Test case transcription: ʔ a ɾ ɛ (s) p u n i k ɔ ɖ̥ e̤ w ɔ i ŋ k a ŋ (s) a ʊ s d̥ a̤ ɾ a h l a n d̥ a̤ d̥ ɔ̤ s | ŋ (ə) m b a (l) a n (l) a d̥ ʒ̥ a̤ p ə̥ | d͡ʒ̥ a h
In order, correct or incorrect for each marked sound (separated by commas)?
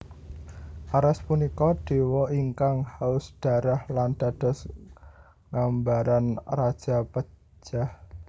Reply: correct, incorrect, incorrect, incorrect, incorrect